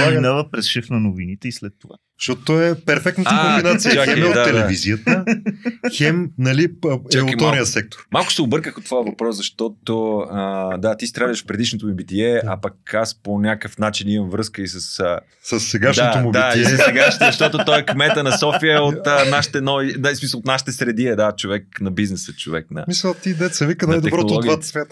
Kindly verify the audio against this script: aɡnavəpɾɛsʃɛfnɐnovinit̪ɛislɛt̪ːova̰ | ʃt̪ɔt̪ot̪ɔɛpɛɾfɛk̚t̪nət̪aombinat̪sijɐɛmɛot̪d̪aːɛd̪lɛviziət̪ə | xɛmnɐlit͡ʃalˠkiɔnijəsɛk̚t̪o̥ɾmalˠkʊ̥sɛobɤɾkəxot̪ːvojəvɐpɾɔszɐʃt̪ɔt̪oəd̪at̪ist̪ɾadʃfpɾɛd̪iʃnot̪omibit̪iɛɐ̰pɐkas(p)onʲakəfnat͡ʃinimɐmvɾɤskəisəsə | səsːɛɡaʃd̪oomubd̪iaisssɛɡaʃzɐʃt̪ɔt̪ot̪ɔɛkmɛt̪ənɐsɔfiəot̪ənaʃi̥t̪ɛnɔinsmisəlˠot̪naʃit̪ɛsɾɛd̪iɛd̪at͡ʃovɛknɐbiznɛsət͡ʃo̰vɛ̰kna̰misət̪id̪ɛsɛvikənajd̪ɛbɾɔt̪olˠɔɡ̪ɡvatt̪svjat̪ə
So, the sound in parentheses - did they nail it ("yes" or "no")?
yes